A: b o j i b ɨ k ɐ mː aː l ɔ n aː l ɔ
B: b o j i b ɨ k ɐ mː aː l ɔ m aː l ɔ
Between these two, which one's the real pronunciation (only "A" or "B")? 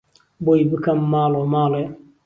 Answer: B